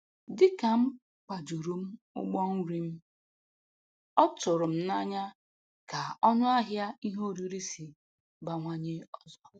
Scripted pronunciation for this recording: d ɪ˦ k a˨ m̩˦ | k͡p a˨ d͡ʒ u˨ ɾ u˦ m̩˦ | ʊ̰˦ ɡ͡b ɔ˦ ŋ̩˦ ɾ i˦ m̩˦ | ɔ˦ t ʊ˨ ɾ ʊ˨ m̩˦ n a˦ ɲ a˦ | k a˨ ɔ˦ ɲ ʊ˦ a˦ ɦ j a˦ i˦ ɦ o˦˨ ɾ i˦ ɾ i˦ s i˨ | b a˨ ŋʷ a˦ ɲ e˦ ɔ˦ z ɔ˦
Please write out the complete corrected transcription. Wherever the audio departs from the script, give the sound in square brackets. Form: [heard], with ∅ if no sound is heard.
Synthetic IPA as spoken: d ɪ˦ k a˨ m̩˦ | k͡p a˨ d͡ʒ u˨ ɾ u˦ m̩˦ | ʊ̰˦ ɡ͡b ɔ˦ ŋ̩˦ ɾ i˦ m̩˦ | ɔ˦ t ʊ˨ ɾ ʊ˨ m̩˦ n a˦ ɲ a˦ | k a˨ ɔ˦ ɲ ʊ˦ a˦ ɦ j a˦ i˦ ɦ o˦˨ ɾ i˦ ɾ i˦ s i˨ | b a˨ ŋʷ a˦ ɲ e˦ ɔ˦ z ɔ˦